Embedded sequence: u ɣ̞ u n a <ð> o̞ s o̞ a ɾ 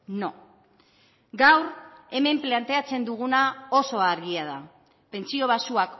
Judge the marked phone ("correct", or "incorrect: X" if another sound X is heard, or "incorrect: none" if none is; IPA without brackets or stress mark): incorrect: none